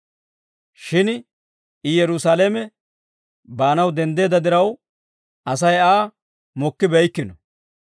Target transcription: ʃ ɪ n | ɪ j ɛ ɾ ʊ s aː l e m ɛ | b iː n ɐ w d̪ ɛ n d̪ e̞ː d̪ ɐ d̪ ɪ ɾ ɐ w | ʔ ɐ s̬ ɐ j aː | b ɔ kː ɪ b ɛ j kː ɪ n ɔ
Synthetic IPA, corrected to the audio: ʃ ɪ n | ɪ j ɛ ɾ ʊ s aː l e m ɛ | b aː n ɐ w d̪ ɛ n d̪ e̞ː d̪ ɐ d̪ ɪ ɾ ɐ w | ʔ ɐ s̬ ɐ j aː | m ɔ kː ɪ b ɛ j kː ɪ n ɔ